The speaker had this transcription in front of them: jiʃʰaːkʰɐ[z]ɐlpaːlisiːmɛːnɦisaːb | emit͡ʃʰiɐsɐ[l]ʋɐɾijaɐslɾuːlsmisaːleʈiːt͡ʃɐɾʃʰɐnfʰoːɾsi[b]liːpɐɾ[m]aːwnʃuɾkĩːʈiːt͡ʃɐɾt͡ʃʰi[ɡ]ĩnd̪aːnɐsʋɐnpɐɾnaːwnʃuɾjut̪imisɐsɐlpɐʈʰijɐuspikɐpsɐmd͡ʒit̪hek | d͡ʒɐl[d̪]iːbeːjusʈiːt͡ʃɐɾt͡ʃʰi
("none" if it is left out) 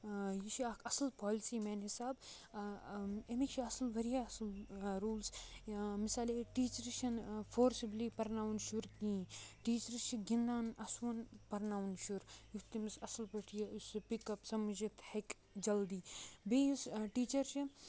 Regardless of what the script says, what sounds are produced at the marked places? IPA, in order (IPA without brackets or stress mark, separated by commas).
s, l, b, n, ɡ, d̪